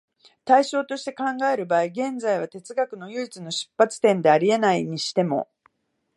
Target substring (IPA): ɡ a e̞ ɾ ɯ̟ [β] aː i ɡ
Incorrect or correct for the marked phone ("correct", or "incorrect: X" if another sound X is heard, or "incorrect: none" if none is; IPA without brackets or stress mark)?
incorrect: b